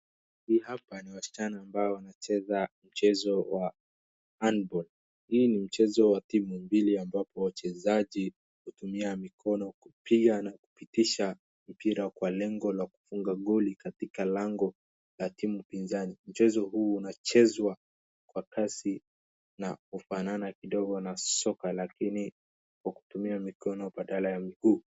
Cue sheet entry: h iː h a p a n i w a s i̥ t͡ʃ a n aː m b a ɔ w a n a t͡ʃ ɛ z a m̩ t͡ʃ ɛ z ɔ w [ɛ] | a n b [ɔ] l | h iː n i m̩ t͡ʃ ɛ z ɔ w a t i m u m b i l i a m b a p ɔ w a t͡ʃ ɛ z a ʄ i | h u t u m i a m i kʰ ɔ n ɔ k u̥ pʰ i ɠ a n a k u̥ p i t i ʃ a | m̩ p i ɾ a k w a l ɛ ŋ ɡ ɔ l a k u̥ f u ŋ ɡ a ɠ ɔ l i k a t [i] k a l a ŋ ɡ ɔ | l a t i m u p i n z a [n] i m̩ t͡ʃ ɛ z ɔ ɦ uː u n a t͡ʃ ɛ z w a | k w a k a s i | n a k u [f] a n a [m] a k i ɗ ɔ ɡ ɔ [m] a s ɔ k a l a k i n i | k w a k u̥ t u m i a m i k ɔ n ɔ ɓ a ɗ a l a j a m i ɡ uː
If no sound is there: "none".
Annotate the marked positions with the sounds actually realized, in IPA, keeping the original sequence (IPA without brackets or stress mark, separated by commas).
a, ɔ, i, n, f, n, n